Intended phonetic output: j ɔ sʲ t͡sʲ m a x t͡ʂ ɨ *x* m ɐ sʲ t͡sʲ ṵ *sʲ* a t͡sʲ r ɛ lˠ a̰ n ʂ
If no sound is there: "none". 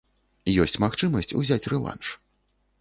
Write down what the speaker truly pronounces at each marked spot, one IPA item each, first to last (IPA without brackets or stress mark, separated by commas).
none, zʲ